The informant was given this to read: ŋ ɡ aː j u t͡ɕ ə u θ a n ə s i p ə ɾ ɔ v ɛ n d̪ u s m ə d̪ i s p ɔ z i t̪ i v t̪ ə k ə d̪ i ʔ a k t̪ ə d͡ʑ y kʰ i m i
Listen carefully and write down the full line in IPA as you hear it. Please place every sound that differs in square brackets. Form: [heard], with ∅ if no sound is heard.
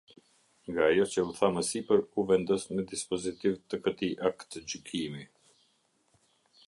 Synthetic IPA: ŋ ɡ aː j [ɔ] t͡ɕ ə u θ a [m] ə s i p ə ɾ [u] v ɛ n d̪ [ɔ] s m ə d̪ i s p ɔ z i t̪ i v t̪ ə k ə [t̪] i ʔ a k t̪ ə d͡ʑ y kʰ i m i